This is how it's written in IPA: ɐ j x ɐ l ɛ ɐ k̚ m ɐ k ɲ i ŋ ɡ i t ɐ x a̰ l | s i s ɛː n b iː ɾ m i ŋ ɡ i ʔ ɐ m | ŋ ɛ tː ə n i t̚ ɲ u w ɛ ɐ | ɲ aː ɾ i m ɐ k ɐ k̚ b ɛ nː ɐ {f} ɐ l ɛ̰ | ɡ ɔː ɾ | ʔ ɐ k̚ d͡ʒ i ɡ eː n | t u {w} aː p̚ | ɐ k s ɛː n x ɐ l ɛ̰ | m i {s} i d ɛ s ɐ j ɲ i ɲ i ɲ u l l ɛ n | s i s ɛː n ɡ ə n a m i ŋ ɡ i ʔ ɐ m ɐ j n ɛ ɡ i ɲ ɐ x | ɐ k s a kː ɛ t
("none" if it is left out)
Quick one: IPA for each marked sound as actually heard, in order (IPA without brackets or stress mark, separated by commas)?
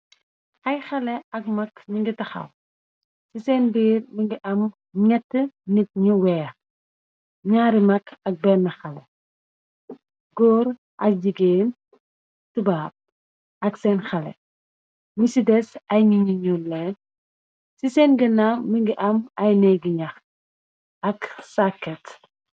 x, b, s